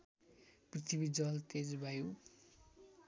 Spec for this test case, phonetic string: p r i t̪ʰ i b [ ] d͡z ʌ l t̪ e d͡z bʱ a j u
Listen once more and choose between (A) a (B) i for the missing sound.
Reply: B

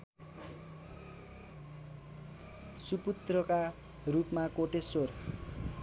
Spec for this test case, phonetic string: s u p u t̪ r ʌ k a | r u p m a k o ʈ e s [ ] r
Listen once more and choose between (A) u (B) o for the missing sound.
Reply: B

